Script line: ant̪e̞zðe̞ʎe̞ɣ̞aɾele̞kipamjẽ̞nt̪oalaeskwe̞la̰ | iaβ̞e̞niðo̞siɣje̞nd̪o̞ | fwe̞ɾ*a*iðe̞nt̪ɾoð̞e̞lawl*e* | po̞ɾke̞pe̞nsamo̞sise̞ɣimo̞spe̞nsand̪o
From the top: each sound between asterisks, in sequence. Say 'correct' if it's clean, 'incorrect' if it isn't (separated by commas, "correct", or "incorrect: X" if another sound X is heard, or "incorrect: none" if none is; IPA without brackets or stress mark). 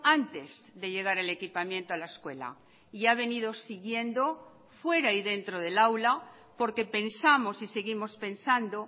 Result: correct, incorrect: a